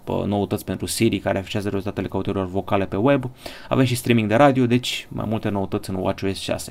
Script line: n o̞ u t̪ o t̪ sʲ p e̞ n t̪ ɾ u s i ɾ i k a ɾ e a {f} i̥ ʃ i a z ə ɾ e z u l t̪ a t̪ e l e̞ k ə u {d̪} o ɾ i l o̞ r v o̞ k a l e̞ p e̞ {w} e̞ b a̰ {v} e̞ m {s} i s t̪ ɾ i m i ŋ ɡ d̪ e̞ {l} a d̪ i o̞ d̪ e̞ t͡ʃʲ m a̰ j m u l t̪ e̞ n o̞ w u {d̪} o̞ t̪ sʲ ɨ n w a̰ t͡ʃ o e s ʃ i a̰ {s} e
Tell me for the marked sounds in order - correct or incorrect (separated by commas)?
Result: correct, incorrect, correct, correct, incorrect, incorrect, incorrect, correct